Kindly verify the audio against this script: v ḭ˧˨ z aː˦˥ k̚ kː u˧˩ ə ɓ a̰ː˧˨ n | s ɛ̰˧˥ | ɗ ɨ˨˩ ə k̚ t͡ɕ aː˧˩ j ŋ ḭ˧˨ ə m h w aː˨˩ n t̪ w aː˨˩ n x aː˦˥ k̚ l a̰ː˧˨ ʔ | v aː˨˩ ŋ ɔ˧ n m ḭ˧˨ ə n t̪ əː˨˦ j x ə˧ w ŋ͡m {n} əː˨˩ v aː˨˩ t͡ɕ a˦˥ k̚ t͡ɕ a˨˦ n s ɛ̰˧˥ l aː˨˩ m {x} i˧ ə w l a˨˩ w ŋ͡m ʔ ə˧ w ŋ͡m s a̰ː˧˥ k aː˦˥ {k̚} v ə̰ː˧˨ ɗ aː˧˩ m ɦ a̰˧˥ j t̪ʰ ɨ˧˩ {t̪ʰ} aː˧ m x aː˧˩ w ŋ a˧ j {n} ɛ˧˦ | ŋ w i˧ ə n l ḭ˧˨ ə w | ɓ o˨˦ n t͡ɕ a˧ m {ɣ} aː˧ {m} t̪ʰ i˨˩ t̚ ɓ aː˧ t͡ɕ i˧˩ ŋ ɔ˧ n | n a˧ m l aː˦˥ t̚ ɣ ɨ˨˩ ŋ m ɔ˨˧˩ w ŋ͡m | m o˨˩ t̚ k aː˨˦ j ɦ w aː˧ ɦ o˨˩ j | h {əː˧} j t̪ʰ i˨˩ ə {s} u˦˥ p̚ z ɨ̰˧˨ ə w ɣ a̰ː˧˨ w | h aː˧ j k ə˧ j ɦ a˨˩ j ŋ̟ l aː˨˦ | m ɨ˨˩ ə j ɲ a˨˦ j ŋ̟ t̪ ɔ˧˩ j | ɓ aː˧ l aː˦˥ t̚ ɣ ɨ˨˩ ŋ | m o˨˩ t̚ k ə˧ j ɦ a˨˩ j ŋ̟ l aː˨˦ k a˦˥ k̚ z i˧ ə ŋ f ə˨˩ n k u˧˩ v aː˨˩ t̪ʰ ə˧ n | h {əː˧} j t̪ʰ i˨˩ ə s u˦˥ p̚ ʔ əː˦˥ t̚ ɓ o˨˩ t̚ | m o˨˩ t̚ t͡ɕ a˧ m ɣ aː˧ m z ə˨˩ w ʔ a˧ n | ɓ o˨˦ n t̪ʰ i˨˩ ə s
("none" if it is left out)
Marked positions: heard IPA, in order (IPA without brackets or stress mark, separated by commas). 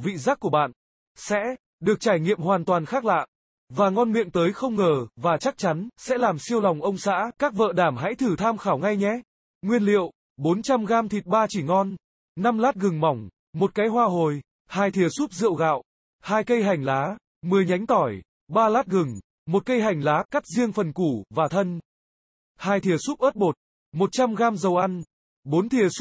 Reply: ŋ, s, k̚, t̪ʰ, ɲ, ɣ, m, aː˧, s, aː˧